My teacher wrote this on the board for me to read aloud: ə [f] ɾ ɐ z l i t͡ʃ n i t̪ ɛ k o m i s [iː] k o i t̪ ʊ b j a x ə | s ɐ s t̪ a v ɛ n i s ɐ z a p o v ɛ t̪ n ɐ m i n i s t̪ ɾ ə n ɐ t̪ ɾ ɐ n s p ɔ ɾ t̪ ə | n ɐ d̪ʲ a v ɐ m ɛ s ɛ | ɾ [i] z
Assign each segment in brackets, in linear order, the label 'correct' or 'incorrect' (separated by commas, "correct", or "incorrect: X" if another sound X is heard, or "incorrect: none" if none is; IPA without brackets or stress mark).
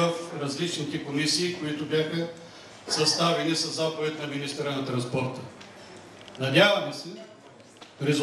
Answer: correct, correct, incorrect: ɛ